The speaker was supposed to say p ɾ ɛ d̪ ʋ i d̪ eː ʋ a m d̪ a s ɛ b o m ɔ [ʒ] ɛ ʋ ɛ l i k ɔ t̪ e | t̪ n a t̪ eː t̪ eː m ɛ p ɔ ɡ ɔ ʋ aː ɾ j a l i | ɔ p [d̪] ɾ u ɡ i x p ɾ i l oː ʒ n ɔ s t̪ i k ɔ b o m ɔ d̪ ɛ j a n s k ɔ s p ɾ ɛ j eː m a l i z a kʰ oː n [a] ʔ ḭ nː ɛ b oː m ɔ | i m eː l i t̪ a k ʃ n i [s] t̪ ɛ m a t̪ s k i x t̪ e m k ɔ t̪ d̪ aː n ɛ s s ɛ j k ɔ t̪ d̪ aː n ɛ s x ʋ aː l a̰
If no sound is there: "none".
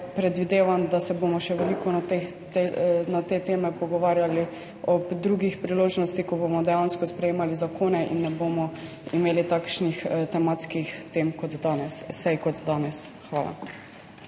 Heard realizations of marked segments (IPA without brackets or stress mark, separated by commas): ʃ, d̪, ɛ, x